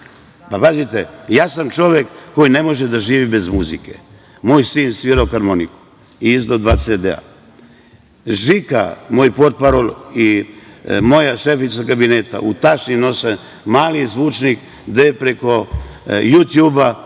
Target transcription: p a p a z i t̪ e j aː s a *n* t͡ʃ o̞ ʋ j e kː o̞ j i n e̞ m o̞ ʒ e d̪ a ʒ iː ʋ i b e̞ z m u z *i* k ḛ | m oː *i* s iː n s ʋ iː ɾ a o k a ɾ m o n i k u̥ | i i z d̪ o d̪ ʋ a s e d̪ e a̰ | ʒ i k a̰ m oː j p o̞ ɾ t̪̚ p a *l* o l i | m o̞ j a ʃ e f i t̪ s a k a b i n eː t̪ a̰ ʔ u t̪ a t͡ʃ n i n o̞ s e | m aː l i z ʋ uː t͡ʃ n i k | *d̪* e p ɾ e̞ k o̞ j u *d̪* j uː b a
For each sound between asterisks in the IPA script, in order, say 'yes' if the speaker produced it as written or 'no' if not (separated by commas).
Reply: no, yes, no, no, yes, no